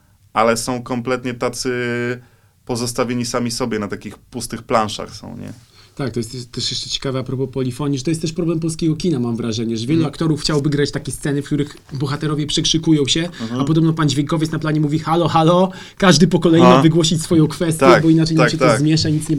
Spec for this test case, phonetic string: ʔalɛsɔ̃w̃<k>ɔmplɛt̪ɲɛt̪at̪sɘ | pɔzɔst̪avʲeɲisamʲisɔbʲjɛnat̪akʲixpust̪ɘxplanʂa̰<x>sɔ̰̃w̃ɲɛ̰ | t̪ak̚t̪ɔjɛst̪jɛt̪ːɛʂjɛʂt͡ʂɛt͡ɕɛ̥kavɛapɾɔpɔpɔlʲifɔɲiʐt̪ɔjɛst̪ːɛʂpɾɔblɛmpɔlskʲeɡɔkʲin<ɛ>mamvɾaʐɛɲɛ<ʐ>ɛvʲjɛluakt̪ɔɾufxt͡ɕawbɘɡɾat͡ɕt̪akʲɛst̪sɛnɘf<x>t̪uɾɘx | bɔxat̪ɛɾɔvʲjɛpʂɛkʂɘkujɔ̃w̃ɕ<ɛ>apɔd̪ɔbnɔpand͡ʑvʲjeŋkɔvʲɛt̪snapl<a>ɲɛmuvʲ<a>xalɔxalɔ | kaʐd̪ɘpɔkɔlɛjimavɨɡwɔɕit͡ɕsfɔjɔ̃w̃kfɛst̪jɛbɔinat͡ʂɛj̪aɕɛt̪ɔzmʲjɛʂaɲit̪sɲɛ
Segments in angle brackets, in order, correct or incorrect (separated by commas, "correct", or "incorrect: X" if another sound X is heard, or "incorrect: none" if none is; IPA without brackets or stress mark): correct, correct, incorrect: a, correct, incorrect: k, correct, correct, incorrect: i